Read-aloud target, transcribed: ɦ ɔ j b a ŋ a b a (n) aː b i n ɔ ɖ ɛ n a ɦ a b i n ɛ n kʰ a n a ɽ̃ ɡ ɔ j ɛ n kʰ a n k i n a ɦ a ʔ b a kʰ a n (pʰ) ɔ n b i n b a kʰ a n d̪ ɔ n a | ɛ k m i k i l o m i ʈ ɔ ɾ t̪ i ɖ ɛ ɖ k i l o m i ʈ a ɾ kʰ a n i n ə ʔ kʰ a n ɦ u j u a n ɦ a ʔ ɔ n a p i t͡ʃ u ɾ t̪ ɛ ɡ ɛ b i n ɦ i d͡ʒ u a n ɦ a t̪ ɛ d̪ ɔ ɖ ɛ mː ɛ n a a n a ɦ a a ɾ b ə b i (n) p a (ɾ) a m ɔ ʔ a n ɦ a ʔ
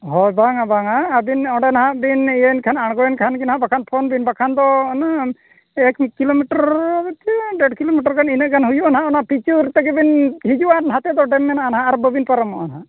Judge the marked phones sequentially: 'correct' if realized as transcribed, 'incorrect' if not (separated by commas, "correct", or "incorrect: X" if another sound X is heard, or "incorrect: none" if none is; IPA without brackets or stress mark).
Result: incorrect: ŋ, correct, correct, correct